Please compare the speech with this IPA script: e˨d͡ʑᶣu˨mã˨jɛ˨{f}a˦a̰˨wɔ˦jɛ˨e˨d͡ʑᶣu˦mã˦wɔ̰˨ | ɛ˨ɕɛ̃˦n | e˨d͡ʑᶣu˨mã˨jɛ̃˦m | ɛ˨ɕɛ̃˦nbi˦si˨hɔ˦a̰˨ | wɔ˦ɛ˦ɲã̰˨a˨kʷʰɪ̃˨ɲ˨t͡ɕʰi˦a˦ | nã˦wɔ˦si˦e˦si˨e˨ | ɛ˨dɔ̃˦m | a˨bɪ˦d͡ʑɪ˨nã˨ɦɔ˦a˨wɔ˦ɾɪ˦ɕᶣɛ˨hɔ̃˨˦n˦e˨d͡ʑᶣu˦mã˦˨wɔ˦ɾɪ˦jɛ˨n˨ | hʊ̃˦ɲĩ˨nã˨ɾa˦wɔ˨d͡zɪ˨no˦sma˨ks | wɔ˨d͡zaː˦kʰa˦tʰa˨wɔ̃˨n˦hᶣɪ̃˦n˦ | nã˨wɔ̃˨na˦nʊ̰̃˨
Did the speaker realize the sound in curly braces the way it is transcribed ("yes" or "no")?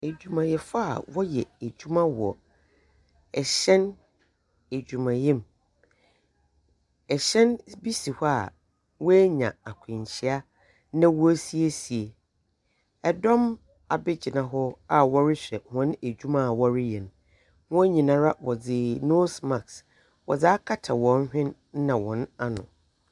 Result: yes